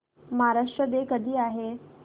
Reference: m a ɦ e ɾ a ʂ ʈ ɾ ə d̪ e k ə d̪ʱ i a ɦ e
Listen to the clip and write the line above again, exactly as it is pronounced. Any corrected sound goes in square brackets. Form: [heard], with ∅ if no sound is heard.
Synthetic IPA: m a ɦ [a] ɾ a ʂ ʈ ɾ ə d̪ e k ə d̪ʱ [iː] a ɦ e

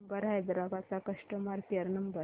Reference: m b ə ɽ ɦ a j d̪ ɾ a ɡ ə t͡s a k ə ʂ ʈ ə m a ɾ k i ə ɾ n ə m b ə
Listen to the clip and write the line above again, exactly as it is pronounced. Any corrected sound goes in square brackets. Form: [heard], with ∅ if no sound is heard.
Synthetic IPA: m b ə [ɾ] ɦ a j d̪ ɾ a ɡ [a] t͡s a k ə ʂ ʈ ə m a ɾ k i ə ɾ n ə m b ə

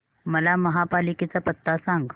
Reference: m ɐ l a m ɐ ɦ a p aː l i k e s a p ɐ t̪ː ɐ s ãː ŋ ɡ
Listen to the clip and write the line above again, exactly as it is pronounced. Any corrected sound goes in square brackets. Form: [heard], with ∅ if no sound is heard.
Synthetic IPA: m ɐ l a m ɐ ɦ a p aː l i k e [t͡s] a p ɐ t̪ː [a] s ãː ŋ ɡ

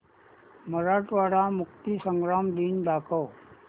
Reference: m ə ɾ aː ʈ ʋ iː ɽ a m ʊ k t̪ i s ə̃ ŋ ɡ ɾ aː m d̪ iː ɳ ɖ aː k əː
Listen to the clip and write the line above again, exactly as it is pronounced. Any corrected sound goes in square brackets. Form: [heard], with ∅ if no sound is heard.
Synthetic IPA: m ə ɾ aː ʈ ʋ [aː] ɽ a m ʊ k t̪ i s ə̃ ŋ ɡ ɾ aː m d̪ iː [n] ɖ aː k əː

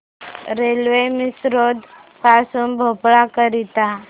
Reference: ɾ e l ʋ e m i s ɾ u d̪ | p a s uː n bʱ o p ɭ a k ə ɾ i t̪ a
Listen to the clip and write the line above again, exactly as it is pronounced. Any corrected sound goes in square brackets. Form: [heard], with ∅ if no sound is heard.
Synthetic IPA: ɾ e l ʋ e m i s ɾ [o] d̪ | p a s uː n bʱ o p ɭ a k ə ɾ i t̪ a

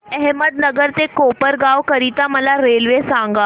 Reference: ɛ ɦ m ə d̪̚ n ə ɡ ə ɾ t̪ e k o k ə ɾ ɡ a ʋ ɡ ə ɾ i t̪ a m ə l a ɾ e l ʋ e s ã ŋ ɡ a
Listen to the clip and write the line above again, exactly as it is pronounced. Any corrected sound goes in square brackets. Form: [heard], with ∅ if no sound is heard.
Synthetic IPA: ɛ ɦ m ə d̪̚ n ə ɡ ə ɾ t̪ e k o [p] ə ɾ ɡ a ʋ [k] ə ɾ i t̪ a m ə l a ɾ e l ʋ e s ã ŋ ɡ a

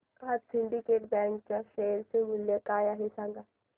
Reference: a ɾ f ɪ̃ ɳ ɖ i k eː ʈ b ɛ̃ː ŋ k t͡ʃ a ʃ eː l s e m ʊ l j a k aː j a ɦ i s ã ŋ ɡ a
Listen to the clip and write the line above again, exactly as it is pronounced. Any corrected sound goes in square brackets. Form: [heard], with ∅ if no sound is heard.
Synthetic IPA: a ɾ [s] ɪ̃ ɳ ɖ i k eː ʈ b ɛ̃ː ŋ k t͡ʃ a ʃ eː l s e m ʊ l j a k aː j a ɦ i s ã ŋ ɡ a

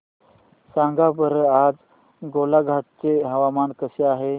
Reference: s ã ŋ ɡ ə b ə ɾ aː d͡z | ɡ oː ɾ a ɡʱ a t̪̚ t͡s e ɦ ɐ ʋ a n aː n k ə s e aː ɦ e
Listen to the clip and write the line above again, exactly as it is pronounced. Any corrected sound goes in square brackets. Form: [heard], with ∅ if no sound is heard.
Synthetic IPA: s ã ŋ ɡ [a] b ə ɾ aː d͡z | ɡ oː [l] a ɡʱ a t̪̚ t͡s e ɦ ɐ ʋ a [m] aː n k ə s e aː ɦ e

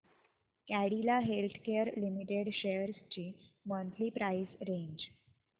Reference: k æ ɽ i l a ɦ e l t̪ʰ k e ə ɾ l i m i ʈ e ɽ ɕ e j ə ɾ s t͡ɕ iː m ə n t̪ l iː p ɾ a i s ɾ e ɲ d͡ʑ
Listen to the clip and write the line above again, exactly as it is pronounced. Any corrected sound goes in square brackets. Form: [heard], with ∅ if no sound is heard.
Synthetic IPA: k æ ɽ i l a ɦ e l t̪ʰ k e ə ɾ l i m i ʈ e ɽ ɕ e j ə ɾ s t͡ɕ iː m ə n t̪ l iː p ɾ a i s ɾ e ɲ d͡ʑ

